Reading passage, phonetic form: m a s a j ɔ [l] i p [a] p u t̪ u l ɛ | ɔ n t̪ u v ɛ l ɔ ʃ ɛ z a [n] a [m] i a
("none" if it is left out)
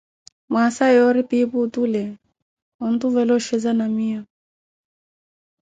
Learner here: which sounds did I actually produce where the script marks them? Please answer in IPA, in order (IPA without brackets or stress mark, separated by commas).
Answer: ɾ, i, n, m